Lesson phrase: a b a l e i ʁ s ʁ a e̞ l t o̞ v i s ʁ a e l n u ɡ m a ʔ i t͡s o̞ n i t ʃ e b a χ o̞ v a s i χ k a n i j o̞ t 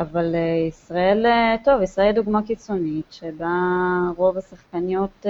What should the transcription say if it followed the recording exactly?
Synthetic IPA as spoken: a v a l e i s ʁ a e̞ l t o̞ v i s ʁ a e l d u ɡ m a k i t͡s o̞ n i t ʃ e b a ʁ o̞ v a s a χ k a n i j o̞ t